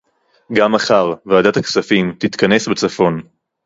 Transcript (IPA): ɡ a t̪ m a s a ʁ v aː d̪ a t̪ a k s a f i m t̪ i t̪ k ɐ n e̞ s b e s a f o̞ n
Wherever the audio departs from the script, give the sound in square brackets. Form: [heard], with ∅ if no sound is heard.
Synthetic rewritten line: ɡ a [∅] m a [χ] a ʁ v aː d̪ a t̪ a k s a f i m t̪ i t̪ k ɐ n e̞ s b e [t͡s] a f o̞ n